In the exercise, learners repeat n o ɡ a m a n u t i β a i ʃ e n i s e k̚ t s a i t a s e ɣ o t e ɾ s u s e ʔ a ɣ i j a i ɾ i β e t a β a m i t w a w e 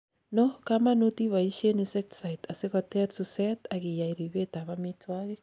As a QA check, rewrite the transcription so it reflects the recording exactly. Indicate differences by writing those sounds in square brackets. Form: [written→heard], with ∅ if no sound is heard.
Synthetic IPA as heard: n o [ɡ→k] a m a n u t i β a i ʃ e n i s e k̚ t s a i t a s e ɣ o t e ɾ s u s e [ʔ→t] a ɣ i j a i ɾ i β e t a β a m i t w a [w→ɣ] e